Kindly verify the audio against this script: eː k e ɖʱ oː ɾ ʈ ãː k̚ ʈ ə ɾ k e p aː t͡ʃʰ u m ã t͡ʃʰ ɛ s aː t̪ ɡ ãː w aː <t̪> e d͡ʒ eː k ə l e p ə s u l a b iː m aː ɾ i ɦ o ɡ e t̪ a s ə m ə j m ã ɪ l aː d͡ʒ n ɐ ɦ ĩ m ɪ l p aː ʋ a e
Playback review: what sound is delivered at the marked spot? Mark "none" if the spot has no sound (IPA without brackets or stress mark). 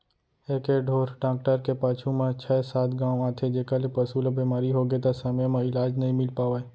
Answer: t̪ʰ